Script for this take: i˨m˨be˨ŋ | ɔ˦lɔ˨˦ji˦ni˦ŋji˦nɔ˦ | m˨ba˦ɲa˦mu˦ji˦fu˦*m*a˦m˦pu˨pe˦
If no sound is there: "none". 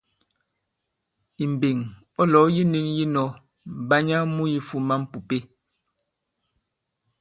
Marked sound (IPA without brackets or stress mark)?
m